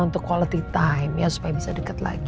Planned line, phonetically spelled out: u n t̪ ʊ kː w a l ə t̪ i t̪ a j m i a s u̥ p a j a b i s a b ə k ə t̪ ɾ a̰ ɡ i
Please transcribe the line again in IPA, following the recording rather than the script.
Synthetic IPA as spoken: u n t̪ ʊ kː w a l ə t̪ i t̪ a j m j a s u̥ p a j a b i s a d ə k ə t̪ l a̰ ɡ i